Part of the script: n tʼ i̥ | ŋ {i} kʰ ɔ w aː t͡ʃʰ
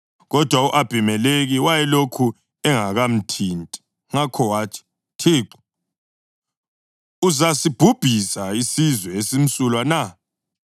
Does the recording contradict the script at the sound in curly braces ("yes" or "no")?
yes